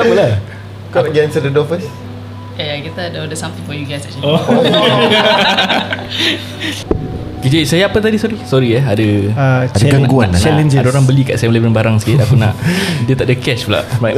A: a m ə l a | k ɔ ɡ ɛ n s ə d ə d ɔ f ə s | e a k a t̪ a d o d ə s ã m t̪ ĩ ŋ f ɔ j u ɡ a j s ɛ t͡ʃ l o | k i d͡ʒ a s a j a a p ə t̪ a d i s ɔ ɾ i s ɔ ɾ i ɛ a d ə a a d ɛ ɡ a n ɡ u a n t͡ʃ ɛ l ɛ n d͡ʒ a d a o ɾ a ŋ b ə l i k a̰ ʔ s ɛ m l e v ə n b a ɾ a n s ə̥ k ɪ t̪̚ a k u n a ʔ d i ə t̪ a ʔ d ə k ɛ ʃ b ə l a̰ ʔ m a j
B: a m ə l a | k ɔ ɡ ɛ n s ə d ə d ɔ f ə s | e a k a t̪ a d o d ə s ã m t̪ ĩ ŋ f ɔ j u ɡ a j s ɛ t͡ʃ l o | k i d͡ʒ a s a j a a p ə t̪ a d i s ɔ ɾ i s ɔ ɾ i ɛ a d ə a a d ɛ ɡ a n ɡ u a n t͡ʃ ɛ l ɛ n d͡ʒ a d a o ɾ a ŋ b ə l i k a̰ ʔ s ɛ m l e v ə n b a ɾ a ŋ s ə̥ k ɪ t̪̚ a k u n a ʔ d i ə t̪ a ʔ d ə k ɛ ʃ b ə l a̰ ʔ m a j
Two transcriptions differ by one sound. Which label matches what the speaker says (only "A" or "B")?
B